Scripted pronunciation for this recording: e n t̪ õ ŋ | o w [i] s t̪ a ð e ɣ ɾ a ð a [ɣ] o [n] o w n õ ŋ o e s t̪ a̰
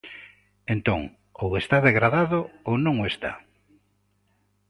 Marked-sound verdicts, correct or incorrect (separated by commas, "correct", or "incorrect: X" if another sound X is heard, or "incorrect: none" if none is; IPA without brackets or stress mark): incorrect: e, incorrect: ð, incorrect: none